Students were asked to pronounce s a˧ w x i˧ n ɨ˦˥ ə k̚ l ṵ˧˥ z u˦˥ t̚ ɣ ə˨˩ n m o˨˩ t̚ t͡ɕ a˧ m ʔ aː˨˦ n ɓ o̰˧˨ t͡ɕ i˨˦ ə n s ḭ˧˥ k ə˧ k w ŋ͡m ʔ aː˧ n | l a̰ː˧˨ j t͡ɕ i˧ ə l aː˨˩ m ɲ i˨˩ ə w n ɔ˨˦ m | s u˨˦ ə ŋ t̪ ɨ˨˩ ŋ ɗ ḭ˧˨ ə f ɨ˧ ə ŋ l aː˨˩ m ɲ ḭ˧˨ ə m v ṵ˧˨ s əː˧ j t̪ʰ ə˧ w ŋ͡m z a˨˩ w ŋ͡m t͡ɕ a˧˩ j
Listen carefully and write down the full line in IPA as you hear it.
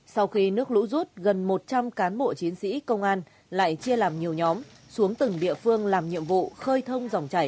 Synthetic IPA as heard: s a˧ w x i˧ n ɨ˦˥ ə k̚ l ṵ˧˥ z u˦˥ t̚ ɣ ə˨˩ n m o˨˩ t̚ t͡ɕ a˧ m k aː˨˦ n ɓ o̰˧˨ t͡ɕ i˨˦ ə n s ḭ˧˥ k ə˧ w ŋ͡m ʔ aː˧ n | l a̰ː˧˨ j t͡ɕ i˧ ə l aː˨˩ m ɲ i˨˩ ə w ɲ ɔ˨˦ m | s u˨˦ ə ŋ t̪ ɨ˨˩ ŋ ɗ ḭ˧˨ ə f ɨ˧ ə ŋ l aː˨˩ m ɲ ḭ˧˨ ə m v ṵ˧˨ x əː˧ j t̪ʰ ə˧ w ŋ͡m z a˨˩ w ŋ͡m t͡ɕ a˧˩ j